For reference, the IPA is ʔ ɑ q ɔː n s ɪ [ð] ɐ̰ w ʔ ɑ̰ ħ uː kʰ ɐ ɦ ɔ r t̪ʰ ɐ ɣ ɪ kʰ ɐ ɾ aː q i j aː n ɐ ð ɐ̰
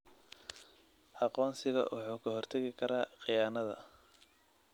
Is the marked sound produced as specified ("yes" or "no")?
no